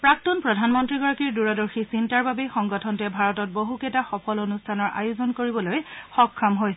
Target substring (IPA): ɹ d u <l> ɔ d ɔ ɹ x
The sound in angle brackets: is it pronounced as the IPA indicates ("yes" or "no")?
no